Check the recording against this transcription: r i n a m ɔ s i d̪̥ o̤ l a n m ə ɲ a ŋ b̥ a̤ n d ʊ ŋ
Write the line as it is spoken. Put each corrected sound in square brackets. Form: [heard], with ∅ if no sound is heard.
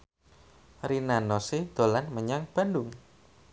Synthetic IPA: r i n a [n] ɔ s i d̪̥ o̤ l a n m ə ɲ a ŋ b̥ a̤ n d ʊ ŋ